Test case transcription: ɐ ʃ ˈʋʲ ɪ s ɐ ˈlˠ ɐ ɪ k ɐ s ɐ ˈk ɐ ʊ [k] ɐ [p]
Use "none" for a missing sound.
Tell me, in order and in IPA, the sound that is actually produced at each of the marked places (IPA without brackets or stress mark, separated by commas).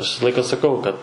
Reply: k, t